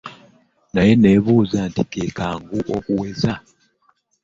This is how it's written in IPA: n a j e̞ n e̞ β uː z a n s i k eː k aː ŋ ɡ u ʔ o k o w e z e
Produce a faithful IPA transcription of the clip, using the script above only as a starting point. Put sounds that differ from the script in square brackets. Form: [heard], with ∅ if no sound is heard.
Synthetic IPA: n a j e̞ n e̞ β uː z a n [t] i k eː k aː ŋ ɡ u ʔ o k [u] w e z [a]